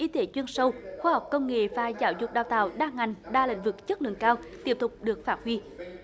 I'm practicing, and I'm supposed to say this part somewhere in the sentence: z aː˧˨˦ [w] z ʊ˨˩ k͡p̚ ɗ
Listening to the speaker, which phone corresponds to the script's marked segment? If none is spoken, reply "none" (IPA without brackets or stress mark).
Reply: w